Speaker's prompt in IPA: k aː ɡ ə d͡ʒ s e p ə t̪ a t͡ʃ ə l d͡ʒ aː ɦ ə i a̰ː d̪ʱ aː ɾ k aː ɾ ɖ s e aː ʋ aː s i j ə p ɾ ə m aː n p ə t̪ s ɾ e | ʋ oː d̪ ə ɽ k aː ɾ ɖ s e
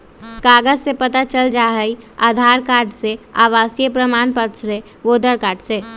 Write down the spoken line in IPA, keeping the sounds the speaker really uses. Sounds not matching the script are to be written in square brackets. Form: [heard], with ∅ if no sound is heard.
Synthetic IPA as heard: k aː ɡ ə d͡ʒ s e p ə t̪ a t͡ʃ ə l d͡ʒ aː ɦ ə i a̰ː d̪ʱ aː ɾ k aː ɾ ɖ s e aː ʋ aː s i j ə p ɾ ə m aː n p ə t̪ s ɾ e | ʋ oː d̪ ə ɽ k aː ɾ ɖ s e